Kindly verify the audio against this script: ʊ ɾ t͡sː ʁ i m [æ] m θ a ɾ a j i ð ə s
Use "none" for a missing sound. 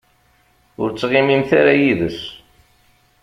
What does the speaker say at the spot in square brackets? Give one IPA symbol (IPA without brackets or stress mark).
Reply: i